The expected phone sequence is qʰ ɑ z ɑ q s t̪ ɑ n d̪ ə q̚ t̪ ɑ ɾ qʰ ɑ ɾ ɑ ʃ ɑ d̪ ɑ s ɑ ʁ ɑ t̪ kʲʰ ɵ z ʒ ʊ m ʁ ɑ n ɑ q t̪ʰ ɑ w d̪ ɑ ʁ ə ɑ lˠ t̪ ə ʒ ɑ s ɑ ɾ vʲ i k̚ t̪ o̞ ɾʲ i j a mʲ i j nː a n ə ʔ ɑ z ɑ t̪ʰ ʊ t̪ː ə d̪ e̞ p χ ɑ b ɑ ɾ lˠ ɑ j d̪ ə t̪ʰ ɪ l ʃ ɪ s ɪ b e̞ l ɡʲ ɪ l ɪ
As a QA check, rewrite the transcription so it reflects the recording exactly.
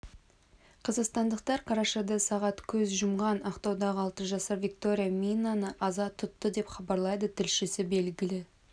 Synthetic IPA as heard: qʰ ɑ z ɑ q s t̪ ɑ n d̪ ə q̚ t̪ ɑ ɾ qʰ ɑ ɾ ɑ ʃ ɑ d̪ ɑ s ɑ ʁ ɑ t̪ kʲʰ ɵ z ʒ ʊ m ʁ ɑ n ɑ q t̪ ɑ w d̪ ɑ ʁ ə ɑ lˠ t̪ ə ʒ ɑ s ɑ ɾ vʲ i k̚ t̪ o̞ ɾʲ i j a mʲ i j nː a n ə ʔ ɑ z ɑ t̪ʰ ʊ t̪ː ə d̪ e̞ p χ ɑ b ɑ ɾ lˠ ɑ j d̪ ə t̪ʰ ɪ l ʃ ɪ s ɪ b e̞ l ɡʲ ɪ l ɪ

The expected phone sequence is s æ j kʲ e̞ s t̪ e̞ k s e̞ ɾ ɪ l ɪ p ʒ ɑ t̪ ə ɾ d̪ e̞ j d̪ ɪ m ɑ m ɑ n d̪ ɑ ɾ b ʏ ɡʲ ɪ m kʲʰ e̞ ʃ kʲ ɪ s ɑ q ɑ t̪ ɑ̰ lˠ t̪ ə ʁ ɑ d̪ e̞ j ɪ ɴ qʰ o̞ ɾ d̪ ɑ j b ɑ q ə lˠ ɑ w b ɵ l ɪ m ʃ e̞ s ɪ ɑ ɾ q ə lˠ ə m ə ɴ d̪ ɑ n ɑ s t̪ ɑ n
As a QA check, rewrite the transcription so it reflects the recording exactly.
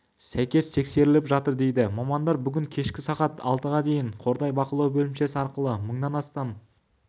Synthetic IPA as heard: s æ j kʲ e̞ s t̪ʰ e̞ k s e̞ ɾ ɪ l ɪ p ʒ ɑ t̪ ə ɾ d̪ e̞ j d̪ ɪ m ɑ m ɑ n d̪ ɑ ɾ b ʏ ɡʲ ɪ ŋ kʲʰ e̞ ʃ kʲ ɪ s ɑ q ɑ t̪ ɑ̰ lˠ t̪ ə ʁ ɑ d̪ e̞ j ɪ ɴ qʰ o̞ ɾ d̪ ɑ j b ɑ q ə lˠ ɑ w b ɵ l ɪ m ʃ e̞ s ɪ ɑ ɾ q ə lˠ ə m ə ɴ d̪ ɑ n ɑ s t̪ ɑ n

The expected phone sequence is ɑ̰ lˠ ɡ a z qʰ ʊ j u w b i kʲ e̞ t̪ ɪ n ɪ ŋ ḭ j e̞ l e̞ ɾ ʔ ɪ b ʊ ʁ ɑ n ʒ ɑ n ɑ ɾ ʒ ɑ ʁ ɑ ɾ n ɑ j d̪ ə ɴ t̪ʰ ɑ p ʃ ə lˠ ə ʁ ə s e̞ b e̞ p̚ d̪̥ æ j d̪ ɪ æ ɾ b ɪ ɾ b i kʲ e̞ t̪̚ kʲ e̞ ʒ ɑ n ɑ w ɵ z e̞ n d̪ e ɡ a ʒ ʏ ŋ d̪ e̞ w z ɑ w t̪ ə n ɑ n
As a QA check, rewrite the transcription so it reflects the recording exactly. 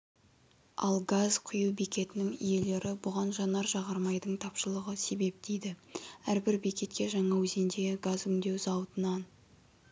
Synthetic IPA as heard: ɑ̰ lˠ ɡ a z qʰ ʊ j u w b i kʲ e̞ t̪ ɪ n ɪ ŋ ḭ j e̞ l e̞ ɾ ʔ ɪ b ʊ ʁ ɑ n ʒ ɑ n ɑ ɾ ʒ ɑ ʁ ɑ ɾ m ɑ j d̪ ə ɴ t̪ʰ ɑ p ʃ ə lˠ ə ʁ ə s e̞ b e̞ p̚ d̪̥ e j d̪ ɪ æ ɾ b ɪ ɾ b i kʲ e̞ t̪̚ kʲ e̞ ʒ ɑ ɴ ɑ w ɵ z e̞ n d̪ e ɡ a z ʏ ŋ d̪ e̞ w z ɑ w t̪ ə n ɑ n

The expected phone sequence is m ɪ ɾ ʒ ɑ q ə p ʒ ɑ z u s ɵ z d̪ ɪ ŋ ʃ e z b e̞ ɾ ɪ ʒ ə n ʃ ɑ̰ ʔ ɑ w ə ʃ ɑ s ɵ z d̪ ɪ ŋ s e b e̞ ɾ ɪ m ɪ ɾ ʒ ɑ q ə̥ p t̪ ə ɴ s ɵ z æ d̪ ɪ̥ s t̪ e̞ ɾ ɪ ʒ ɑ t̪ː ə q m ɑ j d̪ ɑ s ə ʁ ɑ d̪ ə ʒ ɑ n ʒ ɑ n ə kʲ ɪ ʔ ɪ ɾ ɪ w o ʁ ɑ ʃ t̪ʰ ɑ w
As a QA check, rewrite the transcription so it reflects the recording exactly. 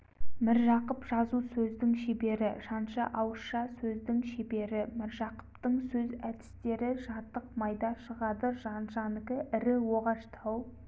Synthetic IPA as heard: m ɪ ɾ ʒ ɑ q ə p ʒ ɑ z u s ɵ z d̪ ɪ ŋ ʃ e b e̞ ɾ ɪ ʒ ɑ n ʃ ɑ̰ ʔ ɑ w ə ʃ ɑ s ɵ z d̪ ɪ ŋ ʃ e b e̞ ɾ ɪ m ɪ ɾ ʒ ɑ q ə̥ p t̪ ə ɴ s ɵ z æ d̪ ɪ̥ s t̪ e̞ ɾ ɪ ʒ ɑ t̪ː ə q m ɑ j d̪ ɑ ʃ ə ʁ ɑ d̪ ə ʒ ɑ n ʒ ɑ n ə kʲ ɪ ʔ ɪ ɾ ɪ w o ʁ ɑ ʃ t̪ʰ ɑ w

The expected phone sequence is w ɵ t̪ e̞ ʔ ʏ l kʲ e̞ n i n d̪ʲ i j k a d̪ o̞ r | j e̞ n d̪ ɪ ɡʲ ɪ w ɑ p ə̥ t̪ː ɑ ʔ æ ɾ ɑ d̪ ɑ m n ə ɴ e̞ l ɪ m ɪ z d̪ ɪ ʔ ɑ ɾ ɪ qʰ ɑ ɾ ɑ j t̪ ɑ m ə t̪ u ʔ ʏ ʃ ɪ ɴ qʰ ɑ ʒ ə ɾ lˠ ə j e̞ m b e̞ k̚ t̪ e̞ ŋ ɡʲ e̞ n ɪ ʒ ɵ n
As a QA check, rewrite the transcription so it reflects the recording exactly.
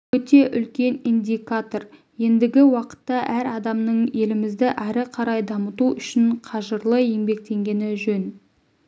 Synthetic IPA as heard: w ɵ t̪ e̞ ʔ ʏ l kʲ e̞ n i n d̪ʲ i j k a t̪ o̞ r | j e̞ n d̪ ɪ ɡʲ ɪ w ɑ q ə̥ t̪ː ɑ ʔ æ ɾ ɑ d̪ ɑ m n ə ɴ e̞ l ɪ m ɪ z d̪ ɪ ʔ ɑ ɾ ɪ qʰ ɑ ɾ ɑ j d̪ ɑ m ə t̪ u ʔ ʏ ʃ ɪ ɴ qʰ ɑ ʒ ə ɾ lˠ ə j e̞ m b e̞ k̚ t̪ e̞ ŋ ɡʲ e̞ n ɪ ʒ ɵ n

